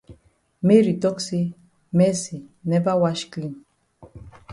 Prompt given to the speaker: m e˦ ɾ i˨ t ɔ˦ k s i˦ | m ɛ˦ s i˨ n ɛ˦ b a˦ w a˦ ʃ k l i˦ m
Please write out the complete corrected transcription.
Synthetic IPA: m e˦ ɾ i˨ t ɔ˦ k s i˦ | m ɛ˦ s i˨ n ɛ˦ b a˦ w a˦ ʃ k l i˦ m